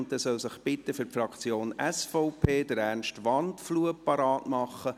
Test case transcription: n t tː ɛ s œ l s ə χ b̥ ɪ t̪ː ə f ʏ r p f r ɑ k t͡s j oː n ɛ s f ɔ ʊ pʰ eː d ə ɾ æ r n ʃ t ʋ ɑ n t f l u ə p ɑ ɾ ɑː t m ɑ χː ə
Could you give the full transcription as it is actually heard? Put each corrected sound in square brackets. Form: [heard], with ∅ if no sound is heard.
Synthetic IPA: n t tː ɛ s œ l s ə χ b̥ ɪ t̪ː ə f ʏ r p f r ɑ k t͡s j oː n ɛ s f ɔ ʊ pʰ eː d ə ɾ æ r n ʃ t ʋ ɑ n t f l u ə p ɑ ɾ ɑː t m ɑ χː ə